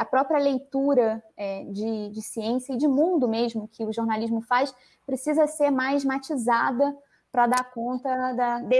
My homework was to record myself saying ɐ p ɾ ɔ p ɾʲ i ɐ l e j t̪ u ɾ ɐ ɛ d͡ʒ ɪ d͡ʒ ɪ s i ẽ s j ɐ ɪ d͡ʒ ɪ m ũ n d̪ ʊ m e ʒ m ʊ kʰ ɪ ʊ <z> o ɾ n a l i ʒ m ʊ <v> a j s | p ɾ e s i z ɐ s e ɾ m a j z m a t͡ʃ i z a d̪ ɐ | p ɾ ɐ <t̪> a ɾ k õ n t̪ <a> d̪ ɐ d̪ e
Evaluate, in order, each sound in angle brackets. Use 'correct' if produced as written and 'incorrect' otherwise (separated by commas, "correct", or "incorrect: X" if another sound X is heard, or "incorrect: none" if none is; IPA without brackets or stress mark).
incorrect: ʒ, incorrect: f, incorrect: d̪, incorrect: ɐ